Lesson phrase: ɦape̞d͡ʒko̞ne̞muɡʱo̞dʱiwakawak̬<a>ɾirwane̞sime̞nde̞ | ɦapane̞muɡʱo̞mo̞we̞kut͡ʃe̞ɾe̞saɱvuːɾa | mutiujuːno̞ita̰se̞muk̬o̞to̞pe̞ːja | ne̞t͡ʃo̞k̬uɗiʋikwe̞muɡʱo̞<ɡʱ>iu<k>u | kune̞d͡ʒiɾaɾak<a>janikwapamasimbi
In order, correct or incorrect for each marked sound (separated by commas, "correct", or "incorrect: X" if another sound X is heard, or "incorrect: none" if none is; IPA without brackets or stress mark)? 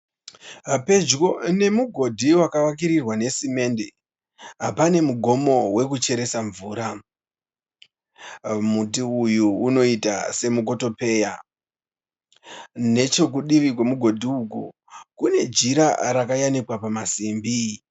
incorrect: i, incorrect: dʱ, correct, correct